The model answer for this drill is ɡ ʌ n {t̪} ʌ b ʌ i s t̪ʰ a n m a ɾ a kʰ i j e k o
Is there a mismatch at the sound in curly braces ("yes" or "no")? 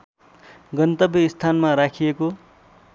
no